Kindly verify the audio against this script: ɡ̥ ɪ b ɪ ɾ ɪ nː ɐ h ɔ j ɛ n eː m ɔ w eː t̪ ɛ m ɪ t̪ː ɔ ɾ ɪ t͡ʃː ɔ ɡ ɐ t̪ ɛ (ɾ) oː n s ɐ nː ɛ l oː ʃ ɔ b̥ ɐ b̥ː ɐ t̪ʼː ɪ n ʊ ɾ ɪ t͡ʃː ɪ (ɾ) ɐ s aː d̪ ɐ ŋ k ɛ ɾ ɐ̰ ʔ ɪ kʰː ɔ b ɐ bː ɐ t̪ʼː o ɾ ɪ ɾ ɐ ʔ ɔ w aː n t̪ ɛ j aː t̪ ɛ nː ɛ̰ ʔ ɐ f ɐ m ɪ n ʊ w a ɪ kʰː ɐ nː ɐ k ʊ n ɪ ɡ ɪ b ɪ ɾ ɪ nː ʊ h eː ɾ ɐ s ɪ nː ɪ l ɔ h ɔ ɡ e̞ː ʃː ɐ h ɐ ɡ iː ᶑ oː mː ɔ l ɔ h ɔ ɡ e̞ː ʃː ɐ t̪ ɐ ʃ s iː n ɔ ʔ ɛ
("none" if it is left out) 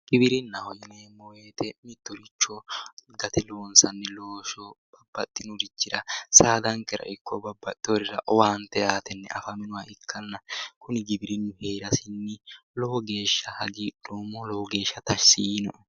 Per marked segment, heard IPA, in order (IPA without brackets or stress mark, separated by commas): l, ɾ